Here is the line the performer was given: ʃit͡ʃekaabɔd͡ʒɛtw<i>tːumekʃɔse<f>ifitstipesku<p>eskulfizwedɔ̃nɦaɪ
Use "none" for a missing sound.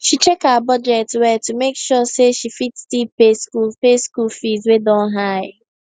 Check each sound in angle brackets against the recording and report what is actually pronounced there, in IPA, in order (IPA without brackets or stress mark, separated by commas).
ɛ, ʃ, p